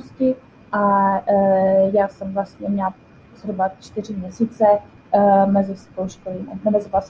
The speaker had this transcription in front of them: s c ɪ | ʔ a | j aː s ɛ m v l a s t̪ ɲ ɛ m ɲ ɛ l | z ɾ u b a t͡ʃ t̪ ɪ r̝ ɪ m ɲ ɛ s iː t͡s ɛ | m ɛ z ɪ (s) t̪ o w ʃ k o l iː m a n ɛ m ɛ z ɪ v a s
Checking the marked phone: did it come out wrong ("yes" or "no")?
no